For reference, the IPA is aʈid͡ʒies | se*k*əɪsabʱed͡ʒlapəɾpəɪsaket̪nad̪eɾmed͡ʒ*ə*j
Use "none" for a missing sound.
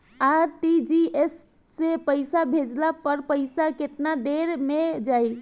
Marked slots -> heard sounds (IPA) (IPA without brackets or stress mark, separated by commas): p, a